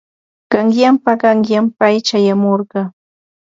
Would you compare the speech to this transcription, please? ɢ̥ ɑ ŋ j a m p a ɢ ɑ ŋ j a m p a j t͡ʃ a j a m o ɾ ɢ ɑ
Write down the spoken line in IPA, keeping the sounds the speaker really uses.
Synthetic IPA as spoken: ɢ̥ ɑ ŋ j a m p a ɢ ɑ ŋ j a m p a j t͡ʃ a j a m o ɾ ɢ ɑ